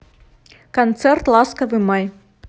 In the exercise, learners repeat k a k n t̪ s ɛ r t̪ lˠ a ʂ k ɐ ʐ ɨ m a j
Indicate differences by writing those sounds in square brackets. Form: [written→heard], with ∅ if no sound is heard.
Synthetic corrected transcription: k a [k→∅] n t̪ s ɛ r t̪ lˠ a [ʂ→s] k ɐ [ʐ→v] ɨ m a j

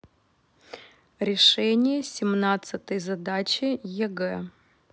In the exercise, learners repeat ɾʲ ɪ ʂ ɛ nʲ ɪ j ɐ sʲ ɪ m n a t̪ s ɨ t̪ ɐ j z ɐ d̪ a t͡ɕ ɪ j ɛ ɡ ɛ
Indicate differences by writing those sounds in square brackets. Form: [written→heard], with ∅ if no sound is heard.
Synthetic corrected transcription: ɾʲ ɪ ʂ ɛ nʲ ɪ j [ɐ→ə] sʲ ɪ m n a t̪ s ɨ t̪ [ɐ→ə] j z ɐ d̪ a t͡ɕ ɪ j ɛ ɡ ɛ

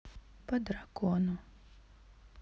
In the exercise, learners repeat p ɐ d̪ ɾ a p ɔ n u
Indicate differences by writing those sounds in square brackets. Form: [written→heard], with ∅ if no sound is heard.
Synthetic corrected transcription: p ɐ d̪ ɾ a [p→k] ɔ n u

